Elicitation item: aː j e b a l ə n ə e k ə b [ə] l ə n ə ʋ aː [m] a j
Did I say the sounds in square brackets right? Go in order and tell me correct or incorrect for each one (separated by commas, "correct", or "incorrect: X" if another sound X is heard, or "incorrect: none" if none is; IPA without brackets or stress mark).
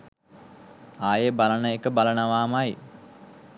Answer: incorrect: a, correct